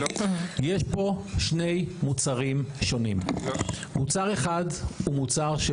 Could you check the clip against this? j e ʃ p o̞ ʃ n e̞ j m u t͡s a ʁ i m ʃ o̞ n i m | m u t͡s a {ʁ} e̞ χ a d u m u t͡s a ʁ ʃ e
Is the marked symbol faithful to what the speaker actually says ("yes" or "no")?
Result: yes